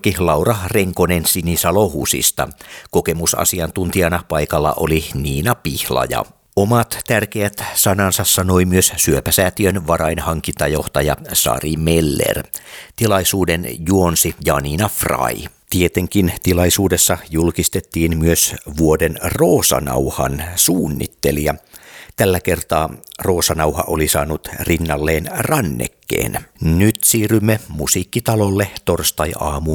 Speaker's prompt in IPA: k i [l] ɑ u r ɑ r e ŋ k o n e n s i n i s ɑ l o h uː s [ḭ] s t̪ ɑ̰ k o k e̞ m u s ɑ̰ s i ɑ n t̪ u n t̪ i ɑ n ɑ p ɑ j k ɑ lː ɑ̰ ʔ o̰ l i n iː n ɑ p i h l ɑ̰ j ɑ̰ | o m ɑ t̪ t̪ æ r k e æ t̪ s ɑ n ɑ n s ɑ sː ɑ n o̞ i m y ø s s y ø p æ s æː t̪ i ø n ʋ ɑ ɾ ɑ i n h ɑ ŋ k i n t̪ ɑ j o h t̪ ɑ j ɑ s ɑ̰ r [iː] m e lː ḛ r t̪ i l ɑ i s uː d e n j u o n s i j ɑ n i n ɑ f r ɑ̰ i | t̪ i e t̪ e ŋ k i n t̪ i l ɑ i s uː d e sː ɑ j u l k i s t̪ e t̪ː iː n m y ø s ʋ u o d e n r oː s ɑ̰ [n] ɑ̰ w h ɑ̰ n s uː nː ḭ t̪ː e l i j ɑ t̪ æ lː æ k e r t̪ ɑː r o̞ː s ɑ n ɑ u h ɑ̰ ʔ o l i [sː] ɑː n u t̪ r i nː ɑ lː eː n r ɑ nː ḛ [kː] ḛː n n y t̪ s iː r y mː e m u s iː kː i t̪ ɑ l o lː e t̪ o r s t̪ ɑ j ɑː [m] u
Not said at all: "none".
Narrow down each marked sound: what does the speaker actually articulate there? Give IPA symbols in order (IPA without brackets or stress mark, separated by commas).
l, ḭ, i, n, s, kː, m